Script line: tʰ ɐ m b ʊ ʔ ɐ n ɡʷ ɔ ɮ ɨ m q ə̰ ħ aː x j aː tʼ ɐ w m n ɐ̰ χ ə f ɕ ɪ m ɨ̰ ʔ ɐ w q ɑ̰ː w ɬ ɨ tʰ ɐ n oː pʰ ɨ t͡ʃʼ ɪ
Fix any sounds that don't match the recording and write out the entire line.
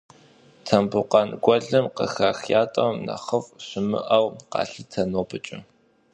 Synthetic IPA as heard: tʰ ɐ m b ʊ q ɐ n ɡʷ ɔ ɮ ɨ m q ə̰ x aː x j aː tʼ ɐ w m n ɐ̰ χ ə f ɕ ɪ m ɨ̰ ʔ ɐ w q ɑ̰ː ɬ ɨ tʰ ɐ n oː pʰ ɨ t͡ʃʼ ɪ